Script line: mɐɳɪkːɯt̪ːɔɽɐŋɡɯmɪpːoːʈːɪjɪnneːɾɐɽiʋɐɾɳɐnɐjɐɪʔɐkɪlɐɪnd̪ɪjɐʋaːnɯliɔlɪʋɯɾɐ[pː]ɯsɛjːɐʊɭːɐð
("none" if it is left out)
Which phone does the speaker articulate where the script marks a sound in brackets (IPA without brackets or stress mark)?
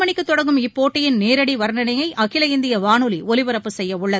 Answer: pː